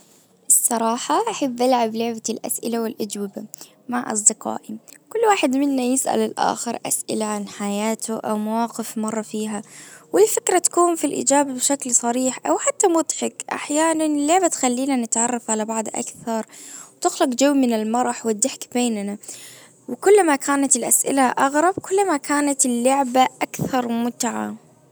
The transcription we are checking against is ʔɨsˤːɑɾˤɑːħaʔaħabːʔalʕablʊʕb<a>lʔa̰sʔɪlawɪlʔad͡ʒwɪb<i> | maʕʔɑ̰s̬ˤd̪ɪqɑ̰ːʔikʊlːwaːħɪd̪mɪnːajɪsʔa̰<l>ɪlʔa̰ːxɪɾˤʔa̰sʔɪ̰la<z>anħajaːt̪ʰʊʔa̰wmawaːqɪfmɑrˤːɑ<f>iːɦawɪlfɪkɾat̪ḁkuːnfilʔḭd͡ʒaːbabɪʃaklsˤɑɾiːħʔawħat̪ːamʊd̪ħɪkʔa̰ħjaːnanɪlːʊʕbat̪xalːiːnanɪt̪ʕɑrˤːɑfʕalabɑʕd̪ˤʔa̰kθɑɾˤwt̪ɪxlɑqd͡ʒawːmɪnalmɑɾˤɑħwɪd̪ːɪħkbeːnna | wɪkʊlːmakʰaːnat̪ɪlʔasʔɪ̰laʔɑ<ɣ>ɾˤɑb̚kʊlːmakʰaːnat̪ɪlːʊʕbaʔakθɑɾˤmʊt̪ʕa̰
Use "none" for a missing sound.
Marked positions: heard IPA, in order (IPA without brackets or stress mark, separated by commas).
a, a, l, ʕ, f, ɣ